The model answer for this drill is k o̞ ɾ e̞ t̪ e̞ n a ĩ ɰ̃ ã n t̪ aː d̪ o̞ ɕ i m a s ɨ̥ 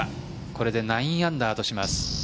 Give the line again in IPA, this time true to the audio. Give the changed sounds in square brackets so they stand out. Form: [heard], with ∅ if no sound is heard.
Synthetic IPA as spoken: k o̞ ɾ e̞ [d̪] e̞ n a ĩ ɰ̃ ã n [d̪] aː [t̪] o̞ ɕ i m a s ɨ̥

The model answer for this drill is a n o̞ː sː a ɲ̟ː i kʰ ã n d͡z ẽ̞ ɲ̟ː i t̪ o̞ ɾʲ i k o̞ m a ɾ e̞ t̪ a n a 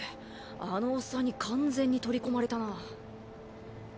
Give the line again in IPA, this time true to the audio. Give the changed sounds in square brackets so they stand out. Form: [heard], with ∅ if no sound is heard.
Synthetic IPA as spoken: a n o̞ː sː a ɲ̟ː i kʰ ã n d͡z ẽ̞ ɲ̟ː i t̪ o̞ ɾʲ i k o̞ m a ɾ e̞ t̪ a n a

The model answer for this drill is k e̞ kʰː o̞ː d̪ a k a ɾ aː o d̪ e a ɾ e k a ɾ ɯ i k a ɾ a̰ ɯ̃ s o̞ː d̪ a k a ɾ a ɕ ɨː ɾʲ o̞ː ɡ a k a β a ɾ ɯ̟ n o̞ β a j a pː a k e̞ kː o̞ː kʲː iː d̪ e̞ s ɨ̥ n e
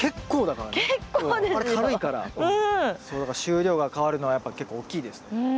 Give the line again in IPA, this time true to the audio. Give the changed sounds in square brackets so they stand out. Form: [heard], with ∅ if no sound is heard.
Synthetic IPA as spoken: k e̞ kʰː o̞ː d̪ a k a ɾ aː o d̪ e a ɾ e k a ɾ ɯ i k a ɾ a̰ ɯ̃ s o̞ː d̪ a k a ɾ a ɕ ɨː ɾʲ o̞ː ɡ a k a β a ɾ ɯ̟ n o̞ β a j a pː a k e̞ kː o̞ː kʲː iː d̪ e̞ s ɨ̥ n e

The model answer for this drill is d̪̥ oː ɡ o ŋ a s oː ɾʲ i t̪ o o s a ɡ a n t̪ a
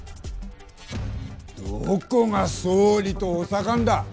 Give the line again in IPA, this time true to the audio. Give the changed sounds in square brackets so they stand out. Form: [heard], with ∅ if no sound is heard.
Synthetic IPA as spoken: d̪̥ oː [k] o ŋ a s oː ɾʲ i t̪ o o s a [k] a n [d̪] a

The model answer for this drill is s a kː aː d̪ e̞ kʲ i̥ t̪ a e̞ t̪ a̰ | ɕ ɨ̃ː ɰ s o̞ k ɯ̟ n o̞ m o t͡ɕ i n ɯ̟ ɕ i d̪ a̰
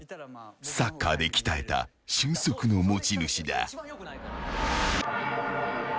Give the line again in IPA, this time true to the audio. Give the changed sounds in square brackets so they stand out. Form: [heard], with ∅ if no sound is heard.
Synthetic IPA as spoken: s a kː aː d̪ e̞ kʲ i̥ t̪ a e̞ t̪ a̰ | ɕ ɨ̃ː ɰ s o̞ k ɯ̟ n o̞ m o t͡ɕ i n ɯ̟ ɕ i d̪ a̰

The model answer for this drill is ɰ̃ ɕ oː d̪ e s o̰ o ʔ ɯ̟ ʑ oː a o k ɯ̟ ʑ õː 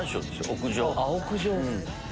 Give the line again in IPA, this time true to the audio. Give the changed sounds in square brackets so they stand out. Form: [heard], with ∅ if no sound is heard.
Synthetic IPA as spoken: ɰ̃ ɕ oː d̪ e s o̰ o [k] ɯ̟ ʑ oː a o k ɯ̟ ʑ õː

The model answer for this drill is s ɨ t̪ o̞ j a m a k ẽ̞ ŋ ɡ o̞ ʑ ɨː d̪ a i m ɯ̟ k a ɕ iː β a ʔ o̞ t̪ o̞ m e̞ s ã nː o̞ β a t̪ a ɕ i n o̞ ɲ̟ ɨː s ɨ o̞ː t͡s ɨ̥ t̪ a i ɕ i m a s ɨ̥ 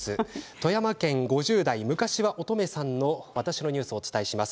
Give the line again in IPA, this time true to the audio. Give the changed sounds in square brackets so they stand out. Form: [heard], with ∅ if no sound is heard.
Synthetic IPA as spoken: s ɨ t̪ o̞ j a m a k ẽ̞ ŋ ɡ o̞ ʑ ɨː d̪ a i m ɯ̟ k a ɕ [i] β a ʔ o̞ t̪ o̞ m e̞ s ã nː o̞ β a t̪ a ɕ i n o̞ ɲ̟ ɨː s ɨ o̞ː t͡s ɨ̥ t̪ a i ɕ i m a s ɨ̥

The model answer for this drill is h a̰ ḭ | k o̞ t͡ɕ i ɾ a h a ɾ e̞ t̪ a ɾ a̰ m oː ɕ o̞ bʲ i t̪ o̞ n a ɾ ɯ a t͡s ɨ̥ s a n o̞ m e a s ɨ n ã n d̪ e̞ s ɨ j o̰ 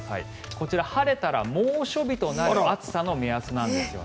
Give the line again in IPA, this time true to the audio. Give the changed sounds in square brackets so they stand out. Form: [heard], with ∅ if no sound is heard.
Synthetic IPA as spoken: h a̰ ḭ | k o̞ t͡ɕ i ɾ a h a ɾ e̞ t̪ a ɾ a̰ m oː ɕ o̞ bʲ i t̪ o̞ n a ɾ ɯ a t͡s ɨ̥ s a n o̞ m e a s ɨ n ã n d̪ e̞ s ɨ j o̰

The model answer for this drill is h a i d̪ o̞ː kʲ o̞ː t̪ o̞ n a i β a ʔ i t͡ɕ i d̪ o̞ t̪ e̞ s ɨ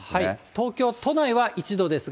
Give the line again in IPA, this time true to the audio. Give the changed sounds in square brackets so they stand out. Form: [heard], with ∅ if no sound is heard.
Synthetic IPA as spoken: h a i [t̪] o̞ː kʲ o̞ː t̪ o̞ n a i β a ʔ i t͡ɕ i d̪ o̞ [d̪] e̞ s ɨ

